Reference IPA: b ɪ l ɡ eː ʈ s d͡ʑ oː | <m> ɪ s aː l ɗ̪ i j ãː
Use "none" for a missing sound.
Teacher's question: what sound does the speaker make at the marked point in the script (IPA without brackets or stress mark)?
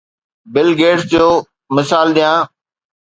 m